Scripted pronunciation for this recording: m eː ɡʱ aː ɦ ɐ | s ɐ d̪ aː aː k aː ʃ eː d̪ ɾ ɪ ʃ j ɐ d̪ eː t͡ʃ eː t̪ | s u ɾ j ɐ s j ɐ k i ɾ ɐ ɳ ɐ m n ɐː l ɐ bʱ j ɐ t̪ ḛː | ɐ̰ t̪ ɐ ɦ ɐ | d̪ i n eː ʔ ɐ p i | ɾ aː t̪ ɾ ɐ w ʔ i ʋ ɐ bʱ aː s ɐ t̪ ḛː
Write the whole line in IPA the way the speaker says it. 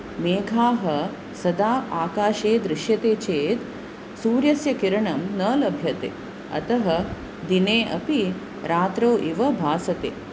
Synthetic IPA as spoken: m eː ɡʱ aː ɦ ɐ | s ɐ d̪ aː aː k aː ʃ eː d̪ ɾ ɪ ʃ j ɐ t̪ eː t͡ʃ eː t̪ | s uː ɾ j ɐ s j ɐ k i ɾ ɐ ɳ ɐ m n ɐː l ɐ bʱ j ɐ t̪ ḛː | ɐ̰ t̪ ɐ ɦ ɐ | d̪ i n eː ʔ ɐ p i | ɾ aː t̪ ɾ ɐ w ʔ i ʋ ɐ bʱ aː s ɐ t̪ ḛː